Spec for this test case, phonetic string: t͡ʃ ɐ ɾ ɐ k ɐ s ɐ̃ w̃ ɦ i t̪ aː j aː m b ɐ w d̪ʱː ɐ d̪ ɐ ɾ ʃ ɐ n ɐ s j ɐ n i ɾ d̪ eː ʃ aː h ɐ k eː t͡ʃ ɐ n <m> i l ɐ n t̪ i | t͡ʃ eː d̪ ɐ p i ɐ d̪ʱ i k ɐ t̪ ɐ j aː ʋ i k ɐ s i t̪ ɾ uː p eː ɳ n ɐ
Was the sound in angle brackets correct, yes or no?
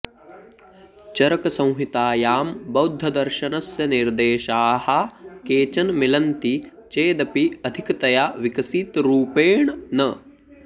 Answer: yes